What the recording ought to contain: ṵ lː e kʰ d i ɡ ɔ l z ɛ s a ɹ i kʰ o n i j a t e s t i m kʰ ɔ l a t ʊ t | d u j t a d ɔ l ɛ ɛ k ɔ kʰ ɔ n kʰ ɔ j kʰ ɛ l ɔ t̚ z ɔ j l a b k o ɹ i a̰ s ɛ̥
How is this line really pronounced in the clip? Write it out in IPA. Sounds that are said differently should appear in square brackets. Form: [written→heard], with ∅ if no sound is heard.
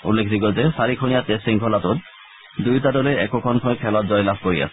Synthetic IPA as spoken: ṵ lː e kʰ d i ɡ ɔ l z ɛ s a ɹ i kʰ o n i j a t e s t i [m→ŋ] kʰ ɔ l a t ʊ t | d u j t a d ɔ l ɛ ɛ k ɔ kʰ ɔ n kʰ ɔ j kʰ ɛ l ɔ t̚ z ɔ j l a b k o ɹ i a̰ s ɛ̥